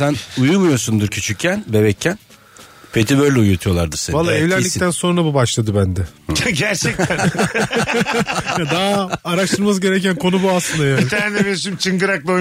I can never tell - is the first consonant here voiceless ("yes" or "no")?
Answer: yes